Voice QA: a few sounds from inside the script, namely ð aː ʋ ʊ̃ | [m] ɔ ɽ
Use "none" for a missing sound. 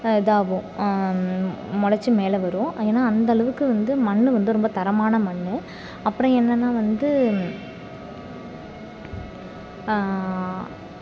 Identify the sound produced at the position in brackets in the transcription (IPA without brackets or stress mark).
m